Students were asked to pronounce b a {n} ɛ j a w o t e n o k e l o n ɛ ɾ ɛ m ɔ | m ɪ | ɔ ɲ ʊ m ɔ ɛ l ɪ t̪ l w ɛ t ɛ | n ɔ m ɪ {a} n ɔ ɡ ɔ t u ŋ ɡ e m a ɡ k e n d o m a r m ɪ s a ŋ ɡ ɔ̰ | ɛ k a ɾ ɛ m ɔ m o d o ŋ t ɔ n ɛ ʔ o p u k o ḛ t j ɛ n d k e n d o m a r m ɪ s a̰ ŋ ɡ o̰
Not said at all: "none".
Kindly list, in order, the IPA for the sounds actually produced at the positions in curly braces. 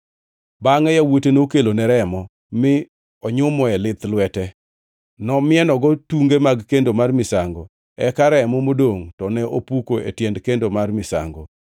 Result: ŋ, ɛ

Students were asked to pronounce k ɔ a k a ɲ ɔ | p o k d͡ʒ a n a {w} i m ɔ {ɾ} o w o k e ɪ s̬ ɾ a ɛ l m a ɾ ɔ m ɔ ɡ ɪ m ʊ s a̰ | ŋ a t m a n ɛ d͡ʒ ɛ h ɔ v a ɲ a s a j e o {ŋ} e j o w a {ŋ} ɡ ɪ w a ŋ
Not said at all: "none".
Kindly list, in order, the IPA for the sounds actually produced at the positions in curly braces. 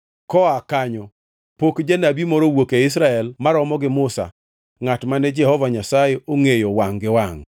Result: b, ɾ, ŋ, ŋ

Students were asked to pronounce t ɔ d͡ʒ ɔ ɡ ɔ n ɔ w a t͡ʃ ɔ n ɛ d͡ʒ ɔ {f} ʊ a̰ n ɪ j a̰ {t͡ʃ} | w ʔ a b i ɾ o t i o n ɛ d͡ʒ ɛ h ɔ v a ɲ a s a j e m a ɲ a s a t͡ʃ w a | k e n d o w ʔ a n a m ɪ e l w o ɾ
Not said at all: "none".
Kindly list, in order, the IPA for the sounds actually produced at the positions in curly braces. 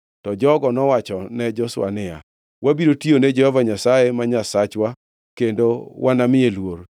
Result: s, none

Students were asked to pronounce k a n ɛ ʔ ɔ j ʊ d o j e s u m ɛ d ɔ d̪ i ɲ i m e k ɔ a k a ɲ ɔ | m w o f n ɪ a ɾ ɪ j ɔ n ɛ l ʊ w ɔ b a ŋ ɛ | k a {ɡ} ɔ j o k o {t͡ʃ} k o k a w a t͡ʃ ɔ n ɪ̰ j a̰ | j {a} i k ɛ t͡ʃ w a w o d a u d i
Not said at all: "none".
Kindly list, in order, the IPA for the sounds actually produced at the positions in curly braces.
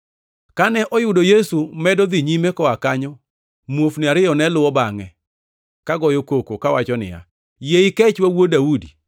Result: ɡ, none, e

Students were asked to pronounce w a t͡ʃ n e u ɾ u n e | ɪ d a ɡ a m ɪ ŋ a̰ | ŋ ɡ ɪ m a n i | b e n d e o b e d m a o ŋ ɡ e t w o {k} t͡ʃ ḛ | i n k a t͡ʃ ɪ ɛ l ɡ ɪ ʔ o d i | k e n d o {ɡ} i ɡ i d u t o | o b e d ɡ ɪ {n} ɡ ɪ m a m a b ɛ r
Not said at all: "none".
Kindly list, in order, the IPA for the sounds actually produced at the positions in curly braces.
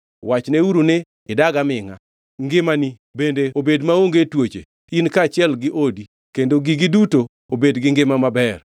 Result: none, ɡ, ŋ

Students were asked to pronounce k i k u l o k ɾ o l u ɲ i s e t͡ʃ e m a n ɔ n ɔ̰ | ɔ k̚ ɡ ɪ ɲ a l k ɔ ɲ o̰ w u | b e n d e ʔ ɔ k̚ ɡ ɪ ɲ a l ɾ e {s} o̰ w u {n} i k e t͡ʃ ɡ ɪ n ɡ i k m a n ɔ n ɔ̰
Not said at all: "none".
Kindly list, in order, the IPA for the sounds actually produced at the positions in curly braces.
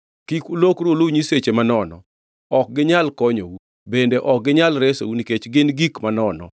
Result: s, n

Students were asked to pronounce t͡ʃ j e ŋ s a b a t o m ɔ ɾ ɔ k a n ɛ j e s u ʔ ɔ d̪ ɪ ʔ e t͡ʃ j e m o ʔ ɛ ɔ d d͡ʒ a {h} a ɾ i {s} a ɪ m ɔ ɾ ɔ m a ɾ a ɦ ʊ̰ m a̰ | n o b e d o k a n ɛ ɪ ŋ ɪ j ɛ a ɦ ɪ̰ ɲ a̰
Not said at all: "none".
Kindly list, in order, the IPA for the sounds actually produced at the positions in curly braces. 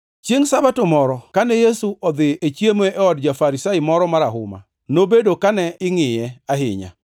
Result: f, s

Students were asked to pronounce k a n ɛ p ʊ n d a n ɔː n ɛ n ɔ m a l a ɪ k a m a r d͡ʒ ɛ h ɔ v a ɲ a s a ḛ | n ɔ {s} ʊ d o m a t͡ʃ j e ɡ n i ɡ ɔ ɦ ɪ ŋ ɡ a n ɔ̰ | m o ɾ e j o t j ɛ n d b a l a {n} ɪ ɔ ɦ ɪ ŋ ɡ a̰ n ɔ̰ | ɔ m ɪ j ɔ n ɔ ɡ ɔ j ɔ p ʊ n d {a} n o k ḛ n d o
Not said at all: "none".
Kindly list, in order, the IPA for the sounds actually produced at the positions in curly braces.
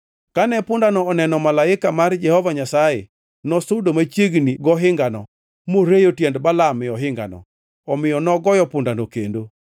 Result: s, m, a

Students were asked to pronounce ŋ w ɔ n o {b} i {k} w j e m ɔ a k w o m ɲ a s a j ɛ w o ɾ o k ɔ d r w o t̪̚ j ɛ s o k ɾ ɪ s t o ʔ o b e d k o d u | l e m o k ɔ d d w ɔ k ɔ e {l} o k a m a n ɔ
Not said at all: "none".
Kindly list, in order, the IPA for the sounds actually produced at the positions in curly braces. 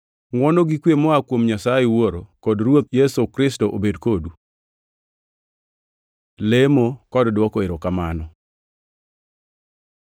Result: ɡ, k, ɾ

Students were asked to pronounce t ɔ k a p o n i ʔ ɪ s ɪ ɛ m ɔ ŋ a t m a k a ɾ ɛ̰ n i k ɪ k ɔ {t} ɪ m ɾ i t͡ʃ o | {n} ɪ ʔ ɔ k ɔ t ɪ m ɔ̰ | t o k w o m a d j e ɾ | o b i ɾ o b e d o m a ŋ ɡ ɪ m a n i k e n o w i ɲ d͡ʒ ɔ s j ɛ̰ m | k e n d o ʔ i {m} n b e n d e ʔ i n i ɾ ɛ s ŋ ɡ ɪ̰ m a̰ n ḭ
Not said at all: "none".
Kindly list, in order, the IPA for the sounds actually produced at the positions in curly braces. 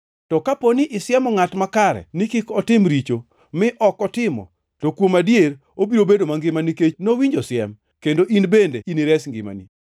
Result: t, m, none

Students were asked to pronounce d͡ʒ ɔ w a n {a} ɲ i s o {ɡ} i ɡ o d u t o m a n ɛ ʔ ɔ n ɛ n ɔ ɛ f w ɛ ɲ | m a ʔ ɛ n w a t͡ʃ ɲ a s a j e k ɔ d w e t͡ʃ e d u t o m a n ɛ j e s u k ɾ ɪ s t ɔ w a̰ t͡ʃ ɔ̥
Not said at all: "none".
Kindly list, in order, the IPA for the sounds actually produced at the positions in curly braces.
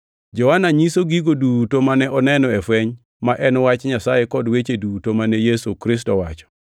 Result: a, ɡ

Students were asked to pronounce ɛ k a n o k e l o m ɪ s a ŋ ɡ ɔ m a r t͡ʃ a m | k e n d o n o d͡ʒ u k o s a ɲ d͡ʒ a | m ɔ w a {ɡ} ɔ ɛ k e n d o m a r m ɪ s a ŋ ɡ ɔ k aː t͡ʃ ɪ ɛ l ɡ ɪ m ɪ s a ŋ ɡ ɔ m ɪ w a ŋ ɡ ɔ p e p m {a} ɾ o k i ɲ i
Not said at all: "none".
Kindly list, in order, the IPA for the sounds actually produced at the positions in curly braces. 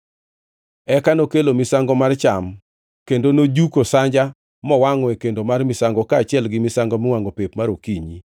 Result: ŋ, a

